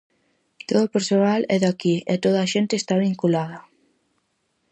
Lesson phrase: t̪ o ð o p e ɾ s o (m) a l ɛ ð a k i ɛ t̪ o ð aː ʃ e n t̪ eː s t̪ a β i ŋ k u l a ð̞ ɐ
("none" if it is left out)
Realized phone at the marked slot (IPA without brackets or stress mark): n